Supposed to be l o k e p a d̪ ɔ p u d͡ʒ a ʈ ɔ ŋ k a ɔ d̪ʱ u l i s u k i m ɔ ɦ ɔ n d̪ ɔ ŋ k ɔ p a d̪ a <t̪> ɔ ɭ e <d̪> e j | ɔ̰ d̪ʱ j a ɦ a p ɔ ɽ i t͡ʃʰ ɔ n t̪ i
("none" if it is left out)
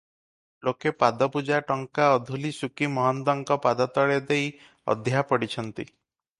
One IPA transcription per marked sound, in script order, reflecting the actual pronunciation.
t̪, d̪

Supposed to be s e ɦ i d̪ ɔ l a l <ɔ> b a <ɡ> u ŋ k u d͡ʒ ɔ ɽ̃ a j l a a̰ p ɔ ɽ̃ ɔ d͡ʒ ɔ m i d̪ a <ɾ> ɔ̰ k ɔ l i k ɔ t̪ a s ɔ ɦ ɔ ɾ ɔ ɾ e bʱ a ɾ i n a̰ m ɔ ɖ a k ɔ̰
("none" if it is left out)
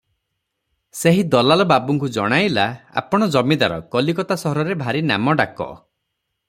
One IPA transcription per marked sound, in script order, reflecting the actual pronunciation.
ɔ, b, ɾ

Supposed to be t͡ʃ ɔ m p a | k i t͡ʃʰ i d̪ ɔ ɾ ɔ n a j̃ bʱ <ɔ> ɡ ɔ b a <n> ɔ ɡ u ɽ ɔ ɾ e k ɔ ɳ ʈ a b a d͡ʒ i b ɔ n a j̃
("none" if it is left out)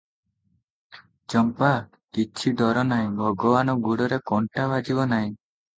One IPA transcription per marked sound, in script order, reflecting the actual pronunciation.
ɔ, n

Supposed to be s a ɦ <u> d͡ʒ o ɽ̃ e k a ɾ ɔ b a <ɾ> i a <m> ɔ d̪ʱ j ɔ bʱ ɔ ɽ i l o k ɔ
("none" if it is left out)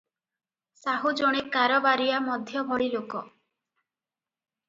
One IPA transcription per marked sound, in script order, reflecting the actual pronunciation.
u, ɾ, m

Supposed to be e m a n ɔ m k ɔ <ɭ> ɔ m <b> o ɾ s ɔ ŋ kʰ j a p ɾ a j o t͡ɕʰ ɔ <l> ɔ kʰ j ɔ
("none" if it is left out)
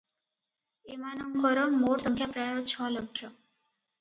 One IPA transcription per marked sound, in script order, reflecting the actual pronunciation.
ɾ, m, l

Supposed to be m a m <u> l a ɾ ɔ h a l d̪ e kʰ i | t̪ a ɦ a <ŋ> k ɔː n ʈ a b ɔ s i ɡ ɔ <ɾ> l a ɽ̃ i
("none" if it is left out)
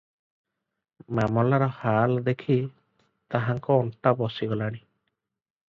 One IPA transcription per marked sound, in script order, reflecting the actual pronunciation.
ɔ, ŋ, none

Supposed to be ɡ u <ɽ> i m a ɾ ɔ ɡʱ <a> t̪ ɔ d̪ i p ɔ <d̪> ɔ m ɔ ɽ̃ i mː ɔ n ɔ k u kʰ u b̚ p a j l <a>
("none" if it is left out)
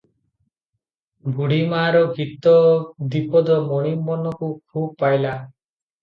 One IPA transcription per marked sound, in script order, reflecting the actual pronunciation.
ɽ, i, d̪, a

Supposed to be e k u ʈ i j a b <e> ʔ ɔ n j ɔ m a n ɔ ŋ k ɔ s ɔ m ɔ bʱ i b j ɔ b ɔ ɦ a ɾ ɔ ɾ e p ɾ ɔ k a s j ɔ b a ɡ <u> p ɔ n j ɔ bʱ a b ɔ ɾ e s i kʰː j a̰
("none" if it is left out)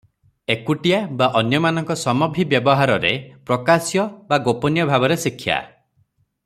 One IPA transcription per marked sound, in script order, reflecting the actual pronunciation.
a, o

